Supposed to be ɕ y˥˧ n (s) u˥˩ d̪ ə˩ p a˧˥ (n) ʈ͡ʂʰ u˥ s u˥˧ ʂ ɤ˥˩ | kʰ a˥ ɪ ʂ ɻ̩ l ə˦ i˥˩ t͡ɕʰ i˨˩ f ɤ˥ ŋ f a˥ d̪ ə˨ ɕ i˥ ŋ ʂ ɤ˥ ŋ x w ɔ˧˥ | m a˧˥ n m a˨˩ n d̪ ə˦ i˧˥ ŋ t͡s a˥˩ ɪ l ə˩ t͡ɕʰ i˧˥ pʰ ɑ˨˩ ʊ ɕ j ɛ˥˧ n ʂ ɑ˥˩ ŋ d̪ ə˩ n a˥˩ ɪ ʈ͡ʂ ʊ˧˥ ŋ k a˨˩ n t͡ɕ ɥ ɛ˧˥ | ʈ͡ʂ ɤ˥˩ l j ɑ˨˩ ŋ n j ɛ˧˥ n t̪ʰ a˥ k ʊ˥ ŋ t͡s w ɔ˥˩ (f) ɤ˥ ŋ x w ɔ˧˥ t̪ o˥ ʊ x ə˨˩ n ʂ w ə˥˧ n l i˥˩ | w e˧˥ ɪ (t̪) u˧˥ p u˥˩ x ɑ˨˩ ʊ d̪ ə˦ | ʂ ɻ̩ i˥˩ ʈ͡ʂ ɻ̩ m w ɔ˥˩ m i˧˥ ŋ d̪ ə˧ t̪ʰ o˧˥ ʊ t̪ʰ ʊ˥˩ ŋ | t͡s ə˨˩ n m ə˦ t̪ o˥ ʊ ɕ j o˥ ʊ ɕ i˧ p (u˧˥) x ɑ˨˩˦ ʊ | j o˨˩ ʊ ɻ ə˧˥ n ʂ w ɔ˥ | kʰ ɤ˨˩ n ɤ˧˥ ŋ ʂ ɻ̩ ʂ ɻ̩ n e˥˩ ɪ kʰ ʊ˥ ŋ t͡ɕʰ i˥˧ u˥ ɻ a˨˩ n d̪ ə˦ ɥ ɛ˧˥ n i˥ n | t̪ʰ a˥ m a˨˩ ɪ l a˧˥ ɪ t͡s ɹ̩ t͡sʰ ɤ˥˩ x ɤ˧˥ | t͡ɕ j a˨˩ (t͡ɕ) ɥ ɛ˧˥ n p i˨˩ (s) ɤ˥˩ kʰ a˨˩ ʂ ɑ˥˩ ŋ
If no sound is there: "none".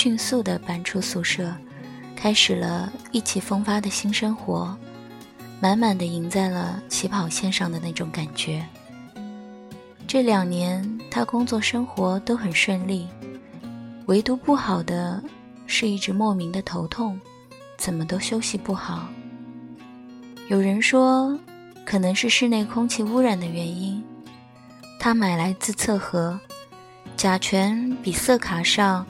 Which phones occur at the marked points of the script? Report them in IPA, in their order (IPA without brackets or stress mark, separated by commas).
s, n, ʂ, t̪, u˥˩, t͡ɕʰ, s